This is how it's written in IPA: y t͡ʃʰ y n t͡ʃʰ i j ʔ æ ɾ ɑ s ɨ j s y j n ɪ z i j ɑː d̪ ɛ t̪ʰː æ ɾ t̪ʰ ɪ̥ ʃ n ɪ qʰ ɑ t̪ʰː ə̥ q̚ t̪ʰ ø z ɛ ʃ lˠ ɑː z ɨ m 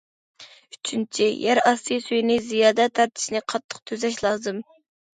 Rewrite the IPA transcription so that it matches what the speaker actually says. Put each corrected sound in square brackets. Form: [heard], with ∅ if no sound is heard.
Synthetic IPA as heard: y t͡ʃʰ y n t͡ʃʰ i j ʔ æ ɾ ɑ s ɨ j s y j n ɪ z i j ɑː d̪ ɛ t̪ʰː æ ɾ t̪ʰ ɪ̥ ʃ n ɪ qʰ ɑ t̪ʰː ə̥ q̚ t̪ʰ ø z ɛ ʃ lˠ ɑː z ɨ m